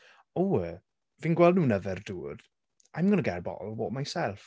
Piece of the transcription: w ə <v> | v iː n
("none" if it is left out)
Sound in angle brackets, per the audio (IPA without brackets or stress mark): none